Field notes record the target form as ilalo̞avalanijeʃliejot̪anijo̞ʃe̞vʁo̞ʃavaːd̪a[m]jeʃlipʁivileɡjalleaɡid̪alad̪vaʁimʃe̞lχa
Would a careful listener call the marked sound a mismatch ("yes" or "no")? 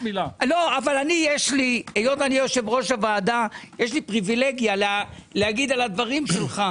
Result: yes